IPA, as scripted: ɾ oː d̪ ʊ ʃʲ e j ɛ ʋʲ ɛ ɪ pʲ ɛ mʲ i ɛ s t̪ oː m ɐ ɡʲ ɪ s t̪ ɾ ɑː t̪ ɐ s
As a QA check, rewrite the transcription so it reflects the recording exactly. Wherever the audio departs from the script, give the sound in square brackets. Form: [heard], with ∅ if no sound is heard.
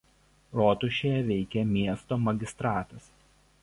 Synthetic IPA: ɾ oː [t̪] ʊ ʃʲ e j ɛ ʋʲ ɛ ɪ [kʲ] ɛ mʲ i ɛ s t̪ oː m ɐ ɡʲ ɪ s t̪ ɾ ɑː t̪ ɐ s